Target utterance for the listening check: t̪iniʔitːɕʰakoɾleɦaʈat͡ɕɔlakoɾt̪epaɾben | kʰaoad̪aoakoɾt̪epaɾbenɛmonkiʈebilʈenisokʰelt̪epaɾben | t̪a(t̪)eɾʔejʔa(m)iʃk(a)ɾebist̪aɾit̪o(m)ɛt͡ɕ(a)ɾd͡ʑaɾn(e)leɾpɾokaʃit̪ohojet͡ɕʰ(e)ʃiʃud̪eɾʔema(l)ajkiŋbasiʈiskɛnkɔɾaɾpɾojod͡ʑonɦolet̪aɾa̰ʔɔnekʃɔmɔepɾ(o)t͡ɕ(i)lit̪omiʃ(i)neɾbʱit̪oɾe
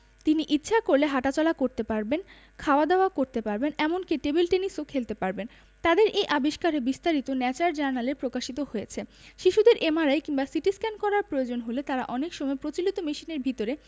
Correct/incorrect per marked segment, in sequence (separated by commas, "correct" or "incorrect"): incorrect, incorrect, correct, incorrect, correct, incorrect, correct, incorrect, correct, correct, correct